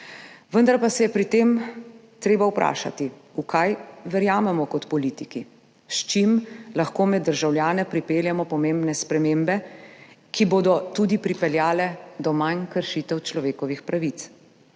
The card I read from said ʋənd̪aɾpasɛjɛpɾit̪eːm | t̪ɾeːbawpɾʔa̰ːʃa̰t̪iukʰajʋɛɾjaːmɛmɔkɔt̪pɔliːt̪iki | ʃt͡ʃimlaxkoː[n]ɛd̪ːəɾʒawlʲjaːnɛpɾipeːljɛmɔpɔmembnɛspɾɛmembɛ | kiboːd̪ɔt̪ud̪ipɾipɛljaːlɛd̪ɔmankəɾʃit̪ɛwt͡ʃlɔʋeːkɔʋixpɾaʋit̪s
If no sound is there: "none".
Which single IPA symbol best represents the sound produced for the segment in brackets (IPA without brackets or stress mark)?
m